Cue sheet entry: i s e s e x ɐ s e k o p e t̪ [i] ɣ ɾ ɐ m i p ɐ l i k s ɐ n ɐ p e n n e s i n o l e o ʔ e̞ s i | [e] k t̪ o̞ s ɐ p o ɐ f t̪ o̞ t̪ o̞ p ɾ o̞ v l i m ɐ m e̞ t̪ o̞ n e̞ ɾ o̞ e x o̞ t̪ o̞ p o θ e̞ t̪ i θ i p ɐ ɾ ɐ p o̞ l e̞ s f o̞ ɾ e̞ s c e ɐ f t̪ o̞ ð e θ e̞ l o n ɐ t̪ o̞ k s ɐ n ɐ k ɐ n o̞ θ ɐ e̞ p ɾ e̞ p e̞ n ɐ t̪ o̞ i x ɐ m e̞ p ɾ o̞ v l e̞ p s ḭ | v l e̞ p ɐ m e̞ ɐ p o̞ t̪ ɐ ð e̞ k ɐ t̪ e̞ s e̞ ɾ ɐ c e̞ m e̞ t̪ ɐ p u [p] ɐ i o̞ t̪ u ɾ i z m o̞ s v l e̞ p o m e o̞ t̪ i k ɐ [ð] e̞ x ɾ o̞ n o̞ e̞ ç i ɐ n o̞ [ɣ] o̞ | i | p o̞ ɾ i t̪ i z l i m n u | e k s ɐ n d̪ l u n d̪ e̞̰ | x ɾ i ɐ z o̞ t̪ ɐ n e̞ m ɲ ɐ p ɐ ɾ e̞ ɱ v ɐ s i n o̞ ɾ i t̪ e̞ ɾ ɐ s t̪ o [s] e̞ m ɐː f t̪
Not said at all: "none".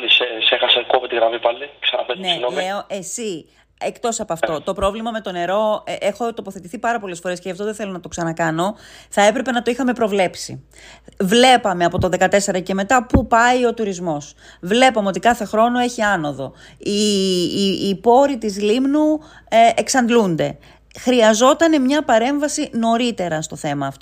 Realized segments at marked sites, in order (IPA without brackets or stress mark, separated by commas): i, e, p, θ, ð, θ